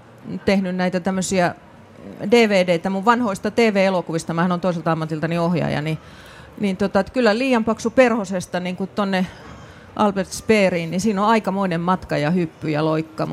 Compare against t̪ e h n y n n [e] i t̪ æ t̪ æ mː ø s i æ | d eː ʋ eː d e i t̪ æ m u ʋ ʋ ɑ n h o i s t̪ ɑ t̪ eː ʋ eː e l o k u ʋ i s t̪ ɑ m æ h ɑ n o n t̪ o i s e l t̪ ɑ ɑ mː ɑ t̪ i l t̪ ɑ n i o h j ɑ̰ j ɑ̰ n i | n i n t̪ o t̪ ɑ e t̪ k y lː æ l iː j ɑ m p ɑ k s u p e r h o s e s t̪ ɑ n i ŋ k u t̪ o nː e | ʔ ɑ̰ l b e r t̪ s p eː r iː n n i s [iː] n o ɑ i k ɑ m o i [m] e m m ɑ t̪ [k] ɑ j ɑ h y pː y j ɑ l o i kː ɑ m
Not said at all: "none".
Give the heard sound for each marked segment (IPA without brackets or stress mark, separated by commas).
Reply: æ, iː, n, k